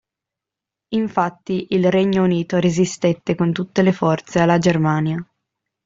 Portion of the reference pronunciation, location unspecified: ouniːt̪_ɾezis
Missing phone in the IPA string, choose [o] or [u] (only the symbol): o